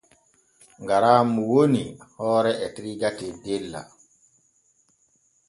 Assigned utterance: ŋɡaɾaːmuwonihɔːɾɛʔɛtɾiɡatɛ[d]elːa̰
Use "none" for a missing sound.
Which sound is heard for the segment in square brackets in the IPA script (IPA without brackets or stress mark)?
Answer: d